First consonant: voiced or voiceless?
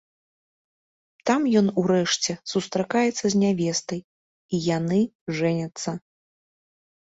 voiceless